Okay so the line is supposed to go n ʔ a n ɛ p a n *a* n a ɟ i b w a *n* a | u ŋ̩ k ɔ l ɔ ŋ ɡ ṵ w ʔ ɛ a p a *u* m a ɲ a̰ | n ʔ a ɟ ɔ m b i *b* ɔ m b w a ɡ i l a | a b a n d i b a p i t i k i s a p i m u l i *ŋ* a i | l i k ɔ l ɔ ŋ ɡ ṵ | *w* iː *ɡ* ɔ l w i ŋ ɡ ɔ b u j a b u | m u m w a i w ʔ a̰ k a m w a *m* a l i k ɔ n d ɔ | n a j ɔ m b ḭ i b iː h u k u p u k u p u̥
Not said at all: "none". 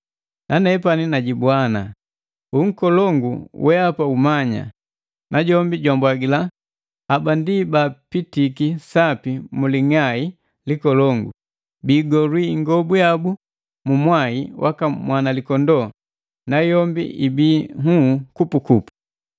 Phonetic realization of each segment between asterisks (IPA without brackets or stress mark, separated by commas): i, n, u, ɟ, ŋ, b, ɡ, n